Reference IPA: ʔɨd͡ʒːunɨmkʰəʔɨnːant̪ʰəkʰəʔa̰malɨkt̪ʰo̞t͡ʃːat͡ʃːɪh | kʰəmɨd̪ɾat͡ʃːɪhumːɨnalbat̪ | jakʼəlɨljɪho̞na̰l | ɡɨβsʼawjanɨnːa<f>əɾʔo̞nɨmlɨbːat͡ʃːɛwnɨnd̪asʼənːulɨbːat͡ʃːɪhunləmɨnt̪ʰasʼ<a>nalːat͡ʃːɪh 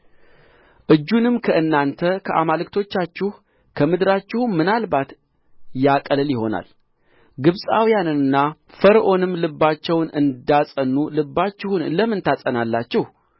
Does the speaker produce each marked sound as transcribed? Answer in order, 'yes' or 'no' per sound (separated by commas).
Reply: yes, no